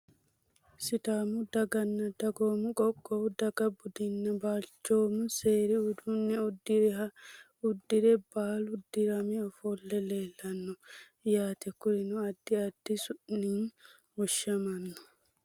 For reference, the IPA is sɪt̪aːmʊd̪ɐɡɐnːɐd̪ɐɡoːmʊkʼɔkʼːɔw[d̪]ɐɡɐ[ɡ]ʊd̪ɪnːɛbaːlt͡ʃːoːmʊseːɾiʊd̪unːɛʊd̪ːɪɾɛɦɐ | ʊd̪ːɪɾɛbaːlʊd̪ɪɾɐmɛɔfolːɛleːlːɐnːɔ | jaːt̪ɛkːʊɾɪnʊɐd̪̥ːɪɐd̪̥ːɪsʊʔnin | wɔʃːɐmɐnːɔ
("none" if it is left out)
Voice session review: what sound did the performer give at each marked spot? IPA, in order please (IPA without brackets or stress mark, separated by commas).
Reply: d̪, b